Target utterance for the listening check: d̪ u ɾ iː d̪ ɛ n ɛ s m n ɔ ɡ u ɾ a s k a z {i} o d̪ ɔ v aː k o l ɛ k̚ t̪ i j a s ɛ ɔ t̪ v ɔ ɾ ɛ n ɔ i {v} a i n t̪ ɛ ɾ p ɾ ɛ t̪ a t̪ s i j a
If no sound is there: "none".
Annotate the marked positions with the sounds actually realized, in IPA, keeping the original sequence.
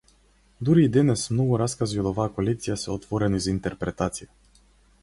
i, z

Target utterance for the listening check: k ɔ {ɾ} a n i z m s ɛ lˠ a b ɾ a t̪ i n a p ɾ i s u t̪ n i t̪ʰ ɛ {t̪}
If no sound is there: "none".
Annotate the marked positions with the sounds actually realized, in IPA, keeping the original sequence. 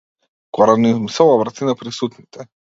ɾ, none

